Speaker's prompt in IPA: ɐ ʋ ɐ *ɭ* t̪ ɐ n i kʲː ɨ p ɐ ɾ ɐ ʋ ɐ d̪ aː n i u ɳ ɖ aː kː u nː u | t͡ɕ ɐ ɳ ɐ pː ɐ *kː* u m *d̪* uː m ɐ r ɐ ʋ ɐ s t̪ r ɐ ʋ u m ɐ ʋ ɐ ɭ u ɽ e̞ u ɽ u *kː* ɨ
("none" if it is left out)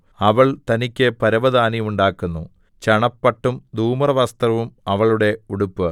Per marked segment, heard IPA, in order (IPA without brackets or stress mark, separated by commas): ɭ, ʈː, d̪, pː